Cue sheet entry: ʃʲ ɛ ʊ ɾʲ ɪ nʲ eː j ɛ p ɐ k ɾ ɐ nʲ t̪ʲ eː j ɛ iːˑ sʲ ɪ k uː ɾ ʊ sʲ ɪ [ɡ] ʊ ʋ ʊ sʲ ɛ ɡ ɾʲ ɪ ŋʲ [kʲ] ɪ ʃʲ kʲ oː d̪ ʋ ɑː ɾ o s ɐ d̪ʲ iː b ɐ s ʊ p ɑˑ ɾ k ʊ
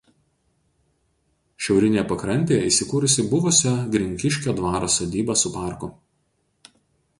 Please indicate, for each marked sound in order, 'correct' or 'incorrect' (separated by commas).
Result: incorrect, correct